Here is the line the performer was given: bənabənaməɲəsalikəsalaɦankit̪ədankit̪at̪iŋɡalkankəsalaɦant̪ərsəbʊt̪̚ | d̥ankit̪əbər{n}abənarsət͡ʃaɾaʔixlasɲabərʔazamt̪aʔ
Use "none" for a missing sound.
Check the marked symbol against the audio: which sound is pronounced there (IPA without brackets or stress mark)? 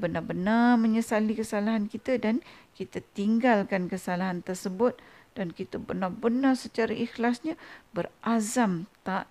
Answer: n